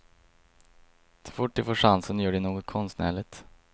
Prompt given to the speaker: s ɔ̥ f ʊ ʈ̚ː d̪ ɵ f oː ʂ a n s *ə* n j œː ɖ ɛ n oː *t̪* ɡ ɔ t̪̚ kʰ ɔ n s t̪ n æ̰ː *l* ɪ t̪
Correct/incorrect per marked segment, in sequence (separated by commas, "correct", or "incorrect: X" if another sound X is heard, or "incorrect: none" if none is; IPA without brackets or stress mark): correct, incorrect: none, incorrect: ɭ